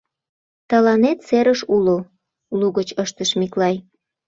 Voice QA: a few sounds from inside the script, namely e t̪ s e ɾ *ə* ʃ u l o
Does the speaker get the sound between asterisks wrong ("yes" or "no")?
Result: no